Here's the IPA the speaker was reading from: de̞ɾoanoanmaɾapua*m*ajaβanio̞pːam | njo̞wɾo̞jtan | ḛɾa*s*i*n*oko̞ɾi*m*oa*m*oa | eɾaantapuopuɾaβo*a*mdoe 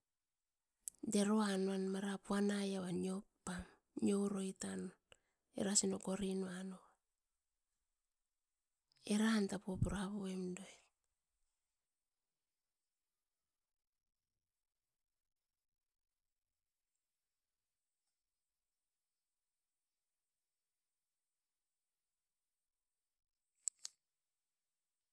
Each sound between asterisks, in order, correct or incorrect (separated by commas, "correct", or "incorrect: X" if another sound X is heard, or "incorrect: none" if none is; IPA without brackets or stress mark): incorrect: n, correct, correct, incorrect: n, incorrect: n, incorrect: e